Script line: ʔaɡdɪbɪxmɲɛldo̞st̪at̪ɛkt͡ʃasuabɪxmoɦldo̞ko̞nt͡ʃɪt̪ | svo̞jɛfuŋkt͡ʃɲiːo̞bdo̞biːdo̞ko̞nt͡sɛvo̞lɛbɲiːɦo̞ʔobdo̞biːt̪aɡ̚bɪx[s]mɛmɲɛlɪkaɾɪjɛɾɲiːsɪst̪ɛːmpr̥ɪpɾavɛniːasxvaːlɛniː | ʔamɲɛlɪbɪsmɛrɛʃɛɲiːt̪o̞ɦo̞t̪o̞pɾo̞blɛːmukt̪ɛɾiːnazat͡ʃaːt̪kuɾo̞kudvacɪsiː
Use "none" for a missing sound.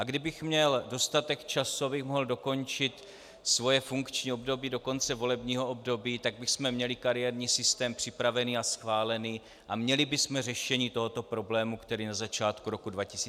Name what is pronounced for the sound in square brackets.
s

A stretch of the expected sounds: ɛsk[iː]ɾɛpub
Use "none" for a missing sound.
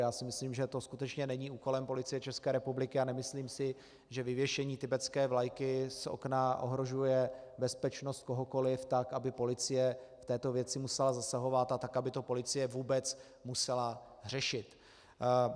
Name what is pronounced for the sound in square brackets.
ɛː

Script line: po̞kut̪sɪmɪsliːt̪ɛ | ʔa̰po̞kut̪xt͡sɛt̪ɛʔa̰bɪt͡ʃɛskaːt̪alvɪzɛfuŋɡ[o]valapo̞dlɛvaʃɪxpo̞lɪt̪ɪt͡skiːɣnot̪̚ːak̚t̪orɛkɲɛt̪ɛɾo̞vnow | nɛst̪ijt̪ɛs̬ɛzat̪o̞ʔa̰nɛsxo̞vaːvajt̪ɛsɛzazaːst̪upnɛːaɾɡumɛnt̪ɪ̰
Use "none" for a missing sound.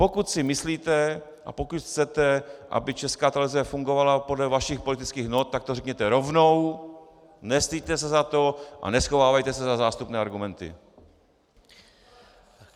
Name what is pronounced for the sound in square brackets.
o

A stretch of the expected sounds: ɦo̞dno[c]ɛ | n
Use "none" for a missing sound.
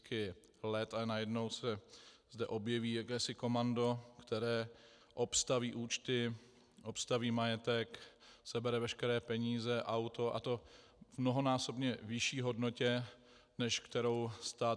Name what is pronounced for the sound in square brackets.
c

